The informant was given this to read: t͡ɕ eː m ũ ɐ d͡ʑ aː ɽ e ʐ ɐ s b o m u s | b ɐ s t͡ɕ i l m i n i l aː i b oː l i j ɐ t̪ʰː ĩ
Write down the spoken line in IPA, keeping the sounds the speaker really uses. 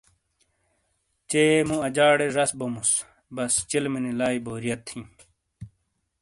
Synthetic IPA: t͡ɕ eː m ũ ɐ d͡ʑ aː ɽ e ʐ ɐ s b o m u s | b ɐ s t͡ɕ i l m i n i l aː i b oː ɾ i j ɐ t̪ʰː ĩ